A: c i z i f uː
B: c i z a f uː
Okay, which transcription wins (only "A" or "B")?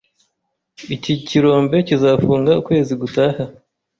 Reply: B